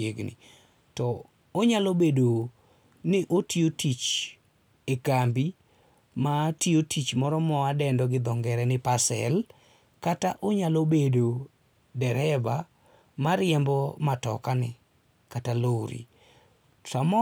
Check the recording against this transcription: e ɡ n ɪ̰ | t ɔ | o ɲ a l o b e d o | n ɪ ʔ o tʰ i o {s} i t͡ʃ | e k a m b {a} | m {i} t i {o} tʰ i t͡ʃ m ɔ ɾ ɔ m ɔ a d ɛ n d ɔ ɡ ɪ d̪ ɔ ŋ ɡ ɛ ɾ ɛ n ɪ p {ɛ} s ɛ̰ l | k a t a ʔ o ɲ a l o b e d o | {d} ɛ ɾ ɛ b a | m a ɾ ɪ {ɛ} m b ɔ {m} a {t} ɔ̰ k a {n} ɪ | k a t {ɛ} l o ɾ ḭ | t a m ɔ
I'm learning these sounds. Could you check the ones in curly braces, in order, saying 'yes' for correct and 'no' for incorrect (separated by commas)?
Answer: no, no, no, yes, no, yes, yes, yes, yes, yes, no